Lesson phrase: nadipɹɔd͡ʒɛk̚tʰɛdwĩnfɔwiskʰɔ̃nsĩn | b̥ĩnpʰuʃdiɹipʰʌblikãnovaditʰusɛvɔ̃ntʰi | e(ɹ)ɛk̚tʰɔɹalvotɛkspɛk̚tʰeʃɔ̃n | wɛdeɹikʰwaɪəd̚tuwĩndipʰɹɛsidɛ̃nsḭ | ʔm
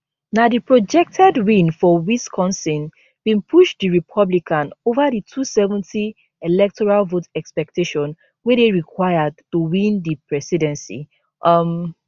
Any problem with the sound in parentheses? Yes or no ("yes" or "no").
yes